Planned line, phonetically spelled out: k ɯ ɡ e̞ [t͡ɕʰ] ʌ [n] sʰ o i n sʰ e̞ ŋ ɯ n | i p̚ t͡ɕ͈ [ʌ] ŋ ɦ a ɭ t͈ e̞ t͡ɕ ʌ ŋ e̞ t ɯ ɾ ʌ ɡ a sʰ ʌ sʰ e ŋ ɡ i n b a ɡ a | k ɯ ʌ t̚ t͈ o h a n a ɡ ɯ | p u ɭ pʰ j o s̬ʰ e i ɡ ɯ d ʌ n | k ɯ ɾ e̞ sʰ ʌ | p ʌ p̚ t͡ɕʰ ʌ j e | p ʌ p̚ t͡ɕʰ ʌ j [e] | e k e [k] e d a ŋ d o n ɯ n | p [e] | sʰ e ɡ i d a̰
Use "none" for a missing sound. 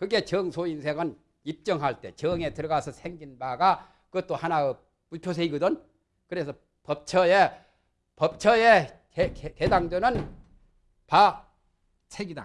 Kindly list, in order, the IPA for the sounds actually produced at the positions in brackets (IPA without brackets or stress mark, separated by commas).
t͡ɕ, ŋ, ʌ, e, k, a